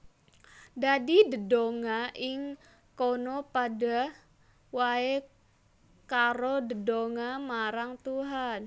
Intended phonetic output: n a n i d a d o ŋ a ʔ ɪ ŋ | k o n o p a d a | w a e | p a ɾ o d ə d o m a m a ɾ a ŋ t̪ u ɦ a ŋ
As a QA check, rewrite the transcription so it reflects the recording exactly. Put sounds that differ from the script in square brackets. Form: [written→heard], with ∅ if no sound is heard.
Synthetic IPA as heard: [n→d] a [n→d] i d [a→ə] d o ŋ a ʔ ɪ ŋ | k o n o p a d a | w a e | [p→k] a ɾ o d ə d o [m→ŋ] a m a ɾ a ŋ t̪ u ɦ a [ŋ→n]